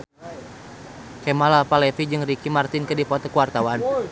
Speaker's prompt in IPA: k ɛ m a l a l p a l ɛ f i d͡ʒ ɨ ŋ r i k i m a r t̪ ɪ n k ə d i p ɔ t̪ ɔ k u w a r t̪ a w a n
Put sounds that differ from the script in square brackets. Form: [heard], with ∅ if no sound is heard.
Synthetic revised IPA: k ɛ m a l a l p a l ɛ f i d͡ʒ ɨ ŋ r i k i m a r t̪ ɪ n k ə d i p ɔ t̪ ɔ k u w a r t̪ a w a n